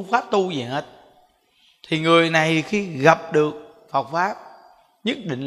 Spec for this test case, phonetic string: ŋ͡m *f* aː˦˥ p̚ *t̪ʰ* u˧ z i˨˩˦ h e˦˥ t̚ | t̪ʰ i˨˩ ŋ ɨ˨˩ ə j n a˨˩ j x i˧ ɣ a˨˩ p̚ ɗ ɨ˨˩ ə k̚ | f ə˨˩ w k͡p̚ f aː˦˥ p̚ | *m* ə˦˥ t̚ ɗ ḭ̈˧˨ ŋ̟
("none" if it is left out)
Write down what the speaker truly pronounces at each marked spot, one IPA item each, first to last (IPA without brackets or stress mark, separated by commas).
f, t̪, ɲ